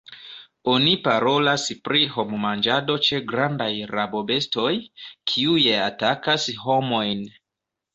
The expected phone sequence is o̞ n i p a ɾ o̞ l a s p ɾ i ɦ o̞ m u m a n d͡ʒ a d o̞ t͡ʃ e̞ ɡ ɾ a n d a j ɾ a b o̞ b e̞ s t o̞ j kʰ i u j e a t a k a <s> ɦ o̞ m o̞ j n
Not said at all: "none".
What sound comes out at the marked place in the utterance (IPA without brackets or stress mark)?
s